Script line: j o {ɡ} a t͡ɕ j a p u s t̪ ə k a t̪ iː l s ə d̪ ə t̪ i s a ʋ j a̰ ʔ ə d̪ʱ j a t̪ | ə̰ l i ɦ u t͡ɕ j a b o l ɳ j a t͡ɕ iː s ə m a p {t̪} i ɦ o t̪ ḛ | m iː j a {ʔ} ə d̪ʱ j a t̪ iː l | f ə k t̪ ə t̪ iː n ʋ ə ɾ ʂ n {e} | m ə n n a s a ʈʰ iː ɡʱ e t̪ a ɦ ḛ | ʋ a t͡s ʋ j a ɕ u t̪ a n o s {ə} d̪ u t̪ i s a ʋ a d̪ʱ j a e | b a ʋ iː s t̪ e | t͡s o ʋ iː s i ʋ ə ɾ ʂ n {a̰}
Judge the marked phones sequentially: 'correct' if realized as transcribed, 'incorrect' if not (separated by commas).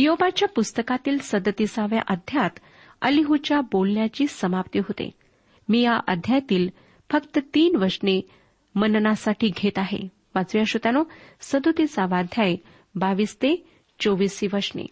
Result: incorrect, correct, correct, correct, correct, incorrect